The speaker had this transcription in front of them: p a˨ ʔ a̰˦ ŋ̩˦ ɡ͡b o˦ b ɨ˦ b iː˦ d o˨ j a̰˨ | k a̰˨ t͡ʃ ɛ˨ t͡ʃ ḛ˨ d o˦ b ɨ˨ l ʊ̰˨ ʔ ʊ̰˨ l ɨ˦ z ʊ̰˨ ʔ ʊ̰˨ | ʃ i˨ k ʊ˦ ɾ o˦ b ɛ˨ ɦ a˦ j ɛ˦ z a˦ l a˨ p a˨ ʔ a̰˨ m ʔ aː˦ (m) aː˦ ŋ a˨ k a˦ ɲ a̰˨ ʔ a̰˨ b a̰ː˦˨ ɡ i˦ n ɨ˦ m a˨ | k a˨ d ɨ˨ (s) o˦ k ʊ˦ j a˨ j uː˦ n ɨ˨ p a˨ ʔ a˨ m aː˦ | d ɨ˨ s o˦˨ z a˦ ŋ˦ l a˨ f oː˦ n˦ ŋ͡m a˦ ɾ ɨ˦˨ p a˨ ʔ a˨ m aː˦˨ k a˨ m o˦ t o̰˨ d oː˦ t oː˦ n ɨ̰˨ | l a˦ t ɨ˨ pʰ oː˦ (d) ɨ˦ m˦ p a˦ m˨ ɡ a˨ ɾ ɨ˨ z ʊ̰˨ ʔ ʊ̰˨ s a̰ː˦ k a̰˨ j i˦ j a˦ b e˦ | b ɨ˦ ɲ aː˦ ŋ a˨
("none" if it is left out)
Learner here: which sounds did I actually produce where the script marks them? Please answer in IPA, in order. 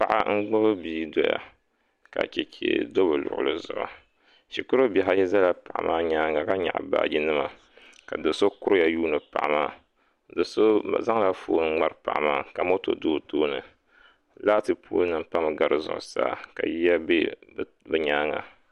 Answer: ɲ, s, n

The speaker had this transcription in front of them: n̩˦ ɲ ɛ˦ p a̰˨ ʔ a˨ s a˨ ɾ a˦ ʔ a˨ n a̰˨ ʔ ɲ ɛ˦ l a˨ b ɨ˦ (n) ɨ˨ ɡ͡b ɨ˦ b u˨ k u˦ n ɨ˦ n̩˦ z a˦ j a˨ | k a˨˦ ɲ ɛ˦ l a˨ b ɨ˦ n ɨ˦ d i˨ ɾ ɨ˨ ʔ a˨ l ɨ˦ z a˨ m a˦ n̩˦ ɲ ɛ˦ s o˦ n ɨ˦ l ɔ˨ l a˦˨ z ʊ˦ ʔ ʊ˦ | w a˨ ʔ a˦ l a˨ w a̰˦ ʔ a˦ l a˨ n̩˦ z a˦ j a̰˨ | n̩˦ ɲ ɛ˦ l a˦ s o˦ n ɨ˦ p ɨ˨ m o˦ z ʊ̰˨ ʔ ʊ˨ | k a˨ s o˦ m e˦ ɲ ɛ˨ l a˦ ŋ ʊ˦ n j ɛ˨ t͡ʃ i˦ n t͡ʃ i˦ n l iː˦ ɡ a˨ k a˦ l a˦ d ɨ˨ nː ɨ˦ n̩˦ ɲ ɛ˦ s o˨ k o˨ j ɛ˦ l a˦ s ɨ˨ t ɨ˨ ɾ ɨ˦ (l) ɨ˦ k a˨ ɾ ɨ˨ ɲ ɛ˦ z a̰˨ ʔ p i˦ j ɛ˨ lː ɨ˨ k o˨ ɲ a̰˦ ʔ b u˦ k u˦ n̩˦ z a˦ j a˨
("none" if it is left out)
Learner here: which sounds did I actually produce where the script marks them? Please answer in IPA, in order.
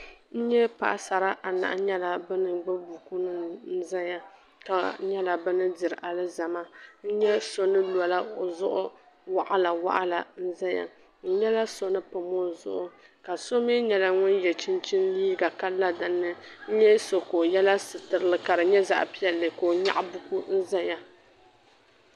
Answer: n, l

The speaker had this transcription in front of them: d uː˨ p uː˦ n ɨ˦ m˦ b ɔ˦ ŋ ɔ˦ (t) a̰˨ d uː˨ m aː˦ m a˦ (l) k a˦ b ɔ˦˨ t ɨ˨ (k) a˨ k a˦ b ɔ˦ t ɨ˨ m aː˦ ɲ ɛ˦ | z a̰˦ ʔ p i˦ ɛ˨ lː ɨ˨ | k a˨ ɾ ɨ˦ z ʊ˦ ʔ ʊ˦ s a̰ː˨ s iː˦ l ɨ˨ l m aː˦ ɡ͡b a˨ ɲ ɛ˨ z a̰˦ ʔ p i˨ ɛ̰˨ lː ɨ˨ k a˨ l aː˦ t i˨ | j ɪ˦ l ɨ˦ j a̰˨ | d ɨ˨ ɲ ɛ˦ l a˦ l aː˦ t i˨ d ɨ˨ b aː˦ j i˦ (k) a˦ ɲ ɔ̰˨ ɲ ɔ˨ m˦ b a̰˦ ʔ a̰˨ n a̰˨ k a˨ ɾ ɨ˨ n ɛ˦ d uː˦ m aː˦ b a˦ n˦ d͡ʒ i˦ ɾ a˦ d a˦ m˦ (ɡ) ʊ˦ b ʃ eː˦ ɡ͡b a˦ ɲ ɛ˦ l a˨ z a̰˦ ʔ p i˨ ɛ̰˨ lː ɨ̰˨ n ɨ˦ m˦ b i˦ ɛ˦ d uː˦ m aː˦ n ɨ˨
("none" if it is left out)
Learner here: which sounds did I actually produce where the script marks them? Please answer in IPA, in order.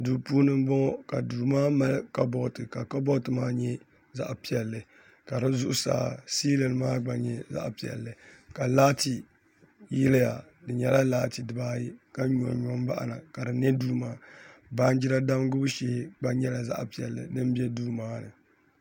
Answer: k, l, k, k, ɡ

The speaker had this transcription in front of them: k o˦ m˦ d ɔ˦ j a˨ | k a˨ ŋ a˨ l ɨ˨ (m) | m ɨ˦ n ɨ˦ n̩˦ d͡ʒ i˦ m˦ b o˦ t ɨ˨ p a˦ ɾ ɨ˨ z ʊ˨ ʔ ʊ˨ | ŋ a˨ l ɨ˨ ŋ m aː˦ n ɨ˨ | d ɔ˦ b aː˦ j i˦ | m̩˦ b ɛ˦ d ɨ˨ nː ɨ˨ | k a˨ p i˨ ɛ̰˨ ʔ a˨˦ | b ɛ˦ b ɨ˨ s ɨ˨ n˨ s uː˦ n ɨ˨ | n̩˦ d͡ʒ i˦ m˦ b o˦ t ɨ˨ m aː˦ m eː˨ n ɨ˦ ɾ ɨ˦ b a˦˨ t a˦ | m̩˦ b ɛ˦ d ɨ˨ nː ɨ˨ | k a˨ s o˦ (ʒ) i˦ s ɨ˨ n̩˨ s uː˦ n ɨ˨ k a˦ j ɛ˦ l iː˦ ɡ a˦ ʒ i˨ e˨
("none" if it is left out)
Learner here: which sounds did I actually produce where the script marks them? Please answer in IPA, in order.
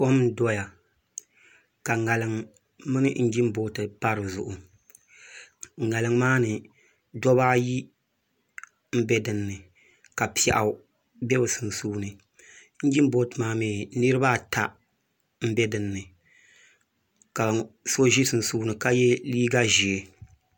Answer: ŋ, ʒ

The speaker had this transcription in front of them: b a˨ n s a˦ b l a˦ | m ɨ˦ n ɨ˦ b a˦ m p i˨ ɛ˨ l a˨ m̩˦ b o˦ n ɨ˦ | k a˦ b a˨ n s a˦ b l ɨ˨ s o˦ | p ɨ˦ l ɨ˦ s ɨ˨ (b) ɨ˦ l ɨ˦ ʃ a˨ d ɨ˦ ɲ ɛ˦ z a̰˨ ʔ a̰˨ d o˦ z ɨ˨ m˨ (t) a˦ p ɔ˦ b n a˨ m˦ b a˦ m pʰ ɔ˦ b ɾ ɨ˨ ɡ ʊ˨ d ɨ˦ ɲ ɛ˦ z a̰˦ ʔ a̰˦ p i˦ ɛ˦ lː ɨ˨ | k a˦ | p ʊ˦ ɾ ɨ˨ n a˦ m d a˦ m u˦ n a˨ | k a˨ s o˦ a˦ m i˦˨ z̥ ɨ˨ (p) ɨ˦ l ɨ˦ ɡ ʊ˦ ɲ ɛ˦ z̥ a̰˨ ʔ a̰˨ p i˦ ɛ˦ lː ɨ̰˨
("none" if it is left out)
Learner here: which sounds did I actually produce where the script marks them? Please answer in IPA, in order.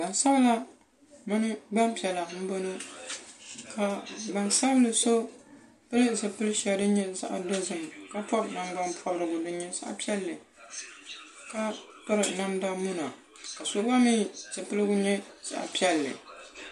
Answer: p, k, p

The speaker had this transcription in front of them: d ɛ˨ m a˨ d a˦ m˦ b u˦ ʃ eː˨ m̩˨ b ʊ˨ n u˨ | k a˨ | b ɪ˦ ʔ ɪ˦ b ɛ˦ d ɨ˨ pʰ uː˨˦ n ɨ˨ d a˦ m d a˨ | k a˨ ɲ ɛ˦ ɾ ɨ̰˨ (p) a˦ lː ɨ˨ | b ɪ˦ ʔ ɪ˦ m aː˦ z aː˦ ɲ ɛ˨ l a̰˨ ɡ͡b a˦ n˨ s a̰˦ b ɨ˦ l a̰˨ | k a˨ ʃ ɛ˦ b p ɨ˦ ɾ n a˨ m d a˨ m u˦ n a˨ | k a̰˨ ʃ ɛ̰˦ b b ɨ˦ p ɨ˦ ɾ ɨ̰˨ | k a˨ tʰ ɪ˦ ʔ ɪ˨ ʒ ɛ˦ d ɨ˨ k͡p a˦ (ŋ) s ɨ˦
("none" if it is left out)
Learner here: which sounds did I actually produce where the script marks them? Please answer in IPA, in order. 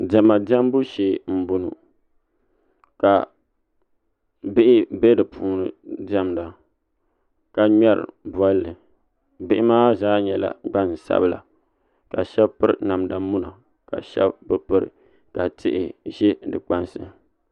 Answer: b, n

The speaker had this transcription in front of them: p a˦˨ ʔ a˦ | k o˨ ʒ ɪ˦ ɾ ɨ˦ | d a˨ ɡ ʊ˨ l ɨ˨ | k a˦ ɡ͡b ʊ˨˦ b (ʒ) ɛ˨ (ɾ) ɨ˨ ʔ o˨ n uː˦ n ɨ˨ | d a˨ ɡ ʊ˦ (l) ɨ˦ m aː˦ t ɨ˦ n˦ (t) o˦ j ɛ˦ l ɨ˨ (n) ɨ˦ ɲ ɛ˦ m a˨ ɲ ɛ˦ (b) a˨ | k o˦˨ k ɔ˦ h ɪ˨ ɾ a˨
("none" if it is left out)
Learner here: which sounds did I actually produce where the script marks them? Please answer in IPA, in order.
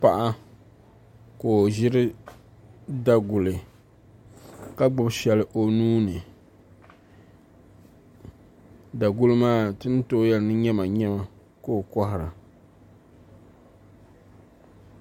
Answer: ʃ, l, l, t, n, m

